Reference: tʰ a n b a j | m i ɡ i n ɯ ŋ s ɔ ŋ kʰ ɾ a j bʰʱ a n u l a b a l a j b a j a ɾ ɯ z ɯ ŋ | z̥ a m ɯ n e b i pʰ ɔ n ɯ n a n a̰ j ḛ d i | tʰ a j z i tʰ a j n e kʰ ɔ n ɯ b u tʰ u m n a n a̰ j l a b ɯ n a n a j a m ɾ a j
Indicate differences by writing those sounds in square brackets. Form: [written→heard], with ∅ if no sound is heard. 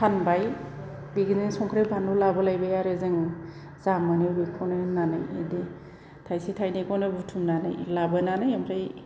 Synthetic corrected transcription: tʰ a n b a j | [m→b] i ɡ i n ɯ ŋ s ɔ ŋ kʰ ɾ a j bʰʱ a n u l a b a l a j b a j a ɾ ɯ z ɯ ŋ | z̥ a m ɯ n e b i [pʰ→kʰ] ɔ n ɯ n a n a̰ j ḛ d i | tʰ a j [z→s] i tʰ a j n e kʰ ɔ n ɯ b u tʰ u m n a n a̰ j l a b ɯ n a n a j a m ɾ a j